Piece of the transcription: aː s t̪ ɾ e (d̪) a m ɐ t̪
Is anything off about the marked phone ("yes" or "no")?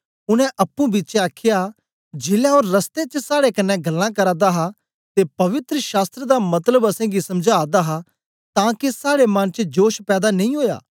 no